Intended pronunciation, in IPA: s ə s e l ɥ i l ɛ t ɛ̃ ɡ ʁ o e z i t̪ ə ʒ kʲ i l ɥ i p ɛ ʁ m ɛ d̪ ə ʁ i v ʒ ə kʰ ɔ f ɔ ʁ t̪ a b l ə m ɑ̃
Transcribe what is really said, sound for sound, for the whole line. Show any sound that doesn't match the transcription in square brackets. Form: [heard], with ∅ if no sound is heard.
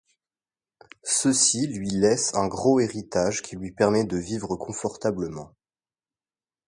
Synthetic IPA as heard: s ə s [i] l ɥ i l ɛ [s] ɛ̃ ɡ ʁ o e [ʁ] i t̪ [a] ʒ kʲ i l ɥ i p ɛ ʁ m ɛ d̪ ə [v] i v [ʁ] ə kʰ [ɔ̃] f ɔ ʁ t̪ a b l ə m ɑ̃